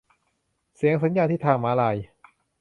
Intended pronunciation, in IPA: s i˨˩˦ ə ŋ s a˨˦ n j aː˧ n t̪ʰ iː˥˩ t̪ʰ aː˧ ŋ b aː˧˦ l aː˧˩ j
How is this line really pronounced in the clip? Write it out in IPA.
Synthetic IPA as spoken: s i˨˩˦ ə ŋ s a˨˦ n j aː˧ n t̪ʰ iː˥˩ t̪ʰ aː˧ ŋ m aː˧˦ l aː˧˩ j